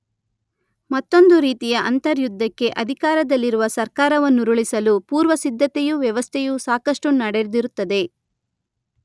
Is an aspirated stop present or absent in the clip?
present